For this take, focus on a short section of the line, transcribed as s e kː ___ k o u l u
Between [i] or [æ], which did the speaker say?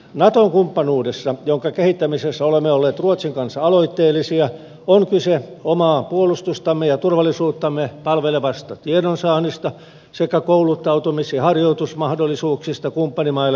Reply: æ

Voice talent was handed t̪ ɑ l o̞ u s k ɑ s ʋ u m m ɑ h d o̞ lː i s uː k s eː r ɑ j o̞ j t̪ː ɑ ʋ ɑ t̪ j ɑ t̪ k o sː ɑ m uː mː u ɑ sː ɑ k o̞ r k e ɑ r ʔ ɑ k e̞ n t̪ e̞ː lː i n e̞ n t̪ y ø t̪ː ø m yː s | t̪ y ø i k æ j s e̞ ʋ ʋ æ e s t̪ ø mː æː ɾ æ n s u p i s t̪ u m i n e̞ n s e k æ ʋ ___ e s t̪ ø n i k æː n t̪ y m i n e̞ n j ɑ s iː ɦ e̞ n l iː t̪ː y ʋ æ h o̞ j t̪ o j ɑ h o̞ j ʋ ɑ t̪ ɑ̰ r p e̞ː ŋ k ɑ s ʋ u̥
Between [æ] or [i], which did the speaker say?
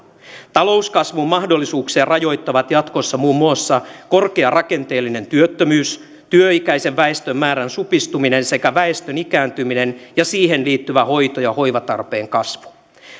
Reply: æ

